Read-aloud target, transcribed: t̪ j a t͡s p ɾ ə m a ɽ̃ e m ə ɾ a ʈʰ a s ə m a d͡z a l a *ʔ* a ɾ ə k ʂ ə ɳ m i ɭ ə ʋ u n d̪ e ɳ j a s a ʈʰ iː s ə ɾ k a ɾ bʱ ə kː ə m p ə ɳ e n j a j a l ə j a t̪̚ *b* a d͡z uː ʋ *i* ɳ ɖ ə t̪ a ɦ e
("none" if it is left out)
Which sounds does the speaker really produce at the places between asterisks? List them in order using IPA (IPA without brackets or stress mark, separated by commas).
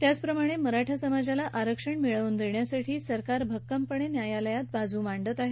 ʔ, b, a